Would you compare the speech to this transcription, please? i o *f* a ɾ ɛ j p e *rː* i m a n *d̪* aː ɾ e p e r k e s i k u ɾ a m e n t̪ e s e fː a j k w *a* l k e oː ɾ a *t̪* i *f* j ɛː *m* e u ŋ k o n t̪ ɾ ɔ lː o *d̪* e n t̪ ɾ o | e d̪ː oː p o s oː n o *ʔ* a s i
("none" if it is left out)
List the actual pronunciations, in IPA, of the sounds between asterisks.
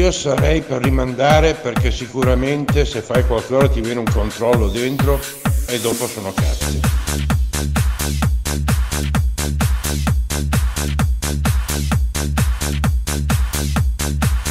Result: s, rː, d̪, a, t̪, v, n, d̪, k

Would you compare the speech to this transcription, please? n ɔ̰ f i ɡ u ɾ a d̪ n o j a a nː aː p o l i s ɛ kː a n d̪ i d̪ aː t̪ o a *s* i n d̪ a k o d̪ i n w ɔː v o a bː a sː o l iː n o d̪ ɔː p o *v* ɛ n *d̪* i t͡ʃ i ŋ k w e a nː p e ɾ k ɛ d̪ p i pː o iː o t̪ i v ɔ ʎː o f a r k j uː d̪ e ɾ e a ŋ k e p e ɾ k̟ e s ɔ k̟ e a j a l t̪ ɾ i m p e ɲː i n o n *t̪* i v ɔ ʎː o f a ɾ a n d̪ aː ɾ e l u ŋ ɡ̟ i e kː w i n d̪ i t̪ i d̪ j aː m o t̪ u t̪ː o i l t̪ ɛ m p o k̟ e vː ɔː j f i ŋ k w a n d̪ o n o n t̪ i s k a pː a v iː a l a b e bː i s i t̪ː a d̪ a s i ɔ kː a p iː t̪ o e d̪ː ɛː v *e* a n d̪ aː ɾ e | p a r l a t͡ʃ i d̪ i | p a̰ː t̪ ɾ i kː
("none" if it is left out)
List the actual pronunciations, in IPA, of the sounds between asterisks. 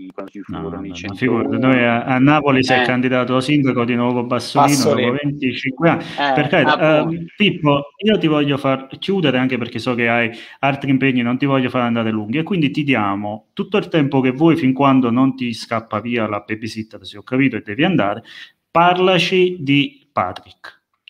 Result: s, v, t̪, t̪, i

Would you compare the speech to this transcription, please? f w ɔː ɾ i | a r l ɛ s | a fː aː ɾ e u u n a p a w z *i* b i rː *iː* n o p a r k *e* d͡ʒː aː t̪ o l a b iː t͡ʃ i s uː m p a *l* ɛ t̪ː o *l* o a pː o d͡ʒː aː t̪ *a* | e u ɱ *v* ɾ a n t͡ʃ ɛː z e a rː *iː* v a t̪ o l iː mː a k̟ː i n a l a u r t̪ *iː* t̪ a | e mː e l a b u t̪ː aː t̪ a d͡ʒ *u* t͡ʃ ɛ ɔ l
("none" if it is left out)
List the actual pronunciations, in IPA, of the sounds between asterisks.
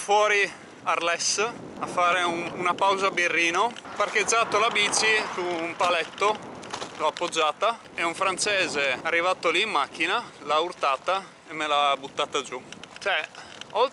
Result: a, iː, e, l, l, a, f, i, aː, u

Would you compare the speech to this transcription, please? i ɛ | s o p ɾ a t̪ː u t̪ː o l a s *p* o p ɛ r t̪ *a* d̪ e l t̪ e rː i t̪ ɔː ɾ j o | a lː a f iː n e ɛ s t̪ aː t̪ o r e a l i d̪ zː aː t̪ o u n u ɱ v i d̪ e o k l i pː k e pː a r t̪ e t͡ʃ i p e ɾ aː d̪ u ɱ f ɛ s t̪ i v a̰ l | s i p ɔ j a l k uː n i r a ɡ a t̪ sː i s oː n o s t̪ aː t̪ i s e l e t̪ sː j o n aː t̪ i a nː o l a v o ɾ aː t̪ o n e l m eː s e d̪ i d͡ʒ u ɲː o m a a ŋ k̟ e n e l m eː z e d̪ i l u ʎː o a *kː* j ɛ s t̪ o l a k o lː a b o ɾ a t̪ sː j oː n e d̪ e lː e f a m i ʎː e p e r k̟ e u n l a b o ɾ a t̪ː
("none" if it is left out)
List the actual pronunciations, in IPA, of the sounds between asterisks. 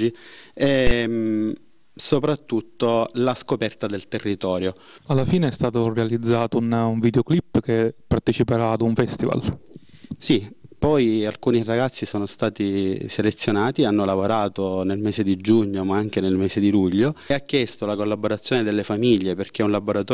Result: k, a, kː

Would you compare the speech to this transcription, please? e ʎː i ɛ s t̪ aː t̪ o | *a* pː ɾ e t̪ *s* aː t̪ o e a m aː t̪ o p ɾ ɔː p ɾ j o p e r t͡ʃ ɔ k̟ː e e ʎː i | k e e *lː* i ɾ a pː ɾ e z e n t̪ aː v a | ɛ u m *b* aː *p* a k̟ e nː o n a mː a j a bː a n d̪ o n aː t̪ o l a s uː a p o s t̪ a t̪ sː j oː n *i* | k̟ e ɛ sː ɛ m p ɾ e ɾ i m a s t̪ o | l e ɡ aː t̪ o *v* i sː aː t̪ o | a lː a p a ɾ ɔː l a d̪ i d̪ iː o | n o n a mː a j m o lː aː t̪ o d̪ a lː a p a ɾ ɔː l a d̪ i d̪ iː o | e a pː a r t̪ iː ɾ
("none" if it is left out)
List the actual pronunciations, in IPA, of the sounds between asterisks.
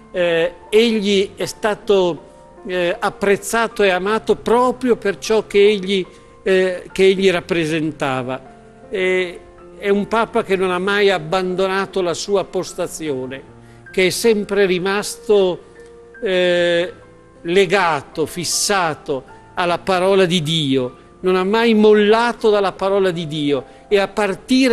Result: a, sː, ʎː, p, p, e, f

